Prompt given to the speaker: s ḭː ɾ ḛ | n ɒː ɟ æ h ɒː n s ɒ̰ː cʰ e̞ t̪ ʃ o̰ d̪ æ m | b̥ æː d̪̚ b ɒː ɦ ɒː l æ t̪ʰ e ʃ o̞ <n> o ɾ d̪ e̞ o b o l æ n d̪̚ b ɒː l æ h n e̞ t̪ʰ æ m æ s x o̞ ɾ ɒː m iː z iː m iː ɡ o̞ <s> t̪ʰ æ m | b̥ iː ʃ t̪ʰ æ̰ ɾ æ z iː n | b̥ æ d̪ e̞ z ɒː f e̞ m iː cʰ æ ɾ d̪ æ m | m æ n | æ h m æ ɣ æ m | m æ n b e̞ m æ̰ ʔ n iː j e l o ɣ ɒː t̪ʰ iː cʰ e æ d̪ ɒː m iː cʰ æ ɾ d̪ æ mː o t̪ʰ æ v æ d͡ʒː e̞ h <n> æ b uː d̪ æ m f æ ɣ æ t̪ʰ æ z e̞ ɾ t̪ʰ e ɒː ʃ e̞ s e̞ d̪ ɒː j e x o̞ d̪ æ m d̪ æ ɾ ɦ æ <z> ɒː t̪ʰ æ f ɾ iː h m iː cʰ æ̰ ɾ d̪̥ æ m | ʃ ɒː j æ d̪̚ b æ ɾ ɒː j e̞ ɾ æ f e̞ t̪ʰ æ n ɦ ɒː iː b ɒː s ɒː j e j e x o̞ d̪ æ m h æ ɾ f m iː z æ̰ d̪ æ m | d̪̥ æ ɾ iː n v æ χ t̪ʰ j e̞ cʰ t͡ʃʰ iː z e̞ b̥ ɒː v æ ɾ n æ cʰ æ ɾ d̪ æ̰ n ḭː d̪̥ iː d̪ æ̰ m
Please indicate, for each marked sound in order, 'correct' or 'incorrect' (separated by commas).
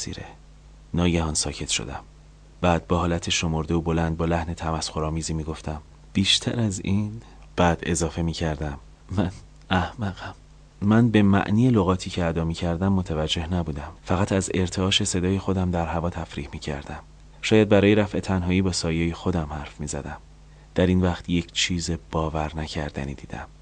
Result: incorrect, incorrect, correct, incorrect